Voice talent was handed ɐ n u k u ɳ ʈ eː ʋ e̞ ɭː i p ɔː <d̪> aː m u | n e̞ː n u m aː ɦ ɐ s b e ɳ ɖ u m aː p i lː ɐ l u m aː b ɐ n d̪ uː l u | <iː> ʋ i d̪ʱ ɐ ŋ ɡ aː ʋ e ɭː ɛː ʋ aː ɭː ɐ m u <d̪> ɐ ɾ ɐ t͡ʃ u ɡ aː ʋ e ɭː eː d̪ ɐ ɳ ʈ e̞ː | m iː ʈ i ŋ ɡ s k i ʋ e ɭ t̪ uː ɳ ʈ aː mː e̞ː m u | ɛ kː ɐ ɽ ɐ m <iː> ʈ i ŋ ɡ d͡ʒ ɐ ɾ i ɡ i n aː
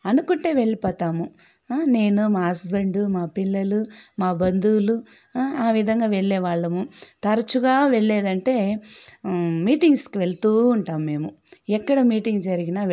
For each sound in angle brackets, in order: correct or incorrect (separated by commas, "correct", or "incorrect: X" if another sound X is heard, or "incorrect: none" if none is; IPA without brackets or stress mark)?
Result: incorrect: t̪, incorrect: aː, incorrect: t̪, correct